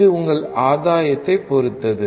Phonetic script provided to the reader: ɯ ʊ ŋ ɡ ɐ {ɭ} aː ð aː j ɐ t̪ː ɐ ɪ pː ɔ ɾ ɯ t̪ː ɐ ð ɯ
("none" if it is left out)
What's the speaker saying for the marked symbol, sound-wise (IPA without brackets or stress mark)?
ɭ